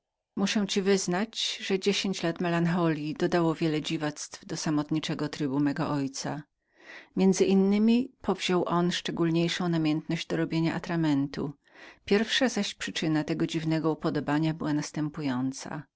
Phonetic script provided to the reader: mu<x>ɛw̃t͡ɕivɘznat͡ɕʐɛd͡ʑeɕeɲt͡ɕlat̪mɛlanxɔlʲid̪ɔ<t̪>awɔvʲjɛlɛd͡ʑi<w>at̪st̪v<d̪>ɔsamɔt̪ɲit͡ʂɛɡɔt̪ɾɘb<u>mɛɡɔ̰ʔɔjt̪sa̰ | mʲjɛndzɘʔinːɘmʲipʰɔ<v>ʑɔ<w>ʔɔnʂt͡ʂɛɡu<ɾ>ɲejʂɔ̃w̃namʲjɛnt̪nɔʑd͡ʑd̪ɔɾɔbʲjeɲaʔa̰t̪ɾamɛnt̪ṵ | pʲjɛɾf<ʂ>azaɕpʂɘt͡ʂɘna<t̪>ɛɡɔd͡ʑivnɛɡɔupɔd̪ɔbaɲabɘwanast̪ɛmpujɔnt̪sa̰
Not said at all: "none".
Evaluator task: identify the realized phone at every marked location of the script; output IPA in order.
ʂ, d̪, v, d̪, u, v, w, l, ʂ, t̪

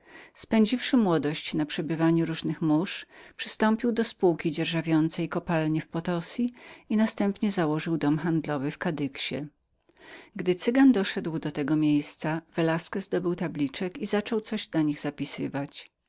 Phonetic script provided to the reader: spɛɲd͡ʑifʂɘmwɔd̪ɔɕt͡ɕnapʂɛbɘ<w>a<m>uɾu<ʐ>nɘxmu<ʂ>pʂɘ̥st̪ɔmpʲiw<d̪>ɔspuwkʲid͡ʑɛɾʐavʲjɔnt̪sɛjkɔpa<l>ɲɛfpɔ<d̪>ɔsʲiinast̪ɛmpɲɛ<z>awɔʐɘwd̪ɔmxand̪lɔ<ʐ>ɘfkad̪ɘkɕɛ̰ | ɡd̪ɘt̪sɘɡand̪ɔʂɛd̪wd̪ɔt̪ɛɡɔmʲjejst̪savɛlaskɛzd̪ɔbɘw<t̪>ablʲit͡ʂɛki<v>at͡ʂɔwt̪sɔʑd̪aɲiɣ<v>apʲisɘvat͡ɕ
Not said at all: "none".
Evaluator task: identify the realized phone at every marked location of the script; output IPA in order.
v, ɲ, ʐ, ʂ, d̪, l, t̪, z, v, t̪, z, z

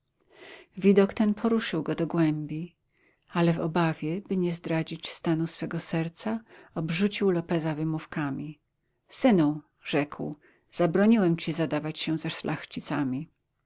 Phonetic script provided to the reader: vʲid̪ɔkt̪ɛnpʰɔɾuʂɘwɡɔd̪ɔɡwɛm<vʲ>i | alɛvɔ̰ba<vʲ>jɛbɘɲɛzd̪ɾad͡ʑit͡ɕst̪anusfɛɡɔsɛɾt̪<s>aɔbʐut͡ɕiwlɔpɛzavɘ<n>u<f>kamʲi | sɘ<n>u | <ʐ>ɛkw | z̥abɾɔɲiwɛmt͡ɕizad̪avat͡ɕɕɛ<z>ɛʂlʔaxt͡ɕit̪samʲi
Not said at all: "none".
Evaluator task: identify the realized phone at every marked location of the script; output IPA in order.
bʲ, vʲ, s, m, f, n, ʐ, z

